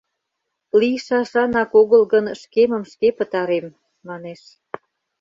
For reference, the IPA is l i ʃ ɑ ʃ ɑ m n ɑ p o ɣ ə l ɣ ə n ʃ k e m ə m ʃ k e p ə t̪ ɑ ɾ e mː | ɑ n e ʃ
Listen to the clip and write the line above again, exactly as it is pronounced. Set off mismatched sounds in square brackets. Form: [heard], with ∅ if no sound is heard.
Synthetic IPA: l i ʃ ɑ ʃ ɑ [∅] n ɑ [k] o ɣ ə l ɣ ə n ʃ k e m ə m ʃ k e p ə t̪ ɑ ɾ e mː | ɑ n e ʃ